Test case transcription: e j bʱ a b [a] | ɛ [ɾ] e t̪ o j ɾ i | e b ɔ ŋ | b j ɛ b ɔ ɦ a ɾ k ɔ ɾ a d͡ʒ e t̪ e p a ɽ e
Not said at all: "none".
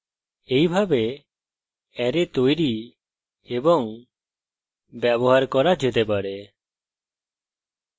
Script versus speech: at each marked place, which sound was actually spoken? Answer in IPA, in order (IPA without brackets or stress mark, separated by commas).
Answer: e, ɾ